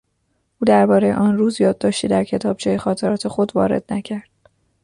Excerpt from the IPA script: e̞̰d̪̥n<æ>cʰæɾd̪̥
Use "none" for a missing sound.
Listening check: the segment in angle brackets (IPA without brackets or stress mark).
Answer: æ